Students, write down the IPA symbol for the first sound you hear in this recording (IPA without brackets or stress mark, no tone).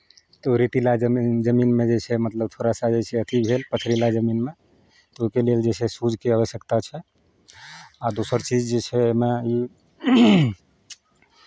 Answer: t̪